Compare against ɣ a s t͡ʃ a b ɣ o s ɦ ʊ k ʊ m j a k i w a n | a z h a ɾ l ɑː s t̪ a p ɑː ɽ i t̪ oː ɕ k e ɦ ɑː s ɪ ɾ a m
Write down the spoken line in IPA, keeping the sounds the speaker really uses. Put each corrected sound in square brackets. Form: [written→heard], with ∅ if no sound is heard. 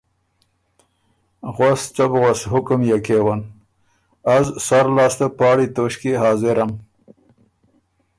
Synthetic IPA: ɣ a s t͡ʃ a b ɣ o s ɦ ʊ k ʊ m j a k [i→e] w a n | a z [h→s] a ɾ l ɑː s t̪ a p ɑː ɽ i t̪ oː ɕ k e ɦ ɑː [s→z] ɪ ɾ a m